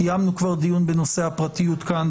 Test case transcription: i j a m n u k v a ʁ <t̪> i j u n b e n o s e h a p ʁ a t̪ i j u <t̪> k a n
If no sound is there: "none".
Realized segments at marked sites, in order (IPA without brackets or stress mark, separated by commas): d̪, t̪